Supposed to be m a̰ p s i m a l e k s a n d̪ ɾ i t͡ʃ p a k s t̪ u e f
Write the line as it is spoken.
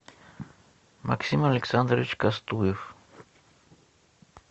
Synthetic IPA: m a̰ k s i m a l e k s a n d̪ ɾ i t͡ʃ k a s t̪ u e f